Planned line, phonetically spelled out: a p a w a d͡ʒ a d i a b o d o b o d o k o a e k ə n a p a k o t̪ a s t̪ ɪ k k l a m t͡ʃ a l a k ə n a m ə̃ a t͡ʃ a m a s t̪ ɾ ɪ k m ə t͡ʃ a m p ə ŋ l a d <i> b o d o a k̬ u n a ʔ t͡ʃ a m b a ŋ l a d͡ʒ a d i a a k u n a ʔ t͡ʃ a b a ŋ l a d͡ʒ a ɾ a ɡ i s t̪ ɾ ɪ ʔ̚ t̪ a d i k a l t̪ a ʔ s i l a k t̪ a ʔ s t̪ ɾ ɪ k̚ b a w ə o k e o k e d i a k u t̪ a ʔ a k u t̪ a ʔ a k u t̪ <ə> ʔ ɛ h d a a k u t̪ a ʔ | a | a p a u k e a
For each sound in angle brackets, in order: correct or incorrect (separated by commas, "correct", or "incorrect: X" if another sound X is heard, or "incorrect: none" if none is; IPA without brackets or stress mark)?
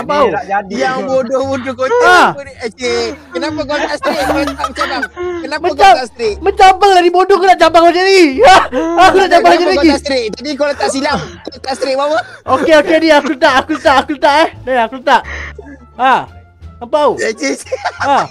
correct, incorrect: a